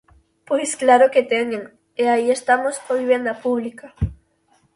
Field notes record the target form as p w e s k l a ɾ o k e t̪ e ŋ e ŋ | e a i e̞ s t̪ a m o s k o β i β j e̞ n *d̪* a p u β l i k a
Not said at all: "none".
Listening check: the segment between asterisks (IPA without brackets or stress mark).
d̪